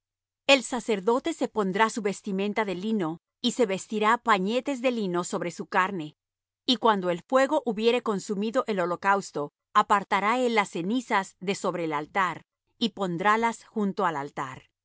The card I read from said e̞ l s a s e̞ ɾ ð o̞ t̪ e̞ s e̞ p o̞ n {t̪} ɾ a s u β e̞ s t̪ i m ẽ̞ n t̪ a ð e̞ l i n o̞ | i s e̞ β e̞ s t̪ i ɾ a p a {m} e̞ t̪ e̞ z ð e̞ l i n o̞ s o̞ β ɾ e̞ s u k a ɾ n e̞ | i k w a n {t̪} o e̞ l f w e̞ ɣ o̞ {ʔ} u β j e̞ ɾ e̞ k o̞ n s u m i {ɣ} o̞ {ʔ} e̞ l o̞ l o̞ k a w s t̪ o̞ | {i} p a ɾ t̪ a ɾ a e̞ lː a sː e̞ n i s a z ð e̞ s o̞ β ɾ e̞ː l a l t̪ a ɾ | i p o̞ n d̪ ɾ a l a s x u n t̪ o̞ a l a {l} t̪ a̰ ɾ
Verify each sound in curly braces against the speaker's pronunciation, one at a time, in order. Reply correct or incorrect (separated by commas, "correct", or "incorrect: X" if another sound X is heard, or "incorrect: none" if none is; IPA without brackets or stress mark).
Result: incorrect: d̪, incorrect: ɲ, incorrect: d̪, correct, incorrect: ð, correct, incorrect: a, correct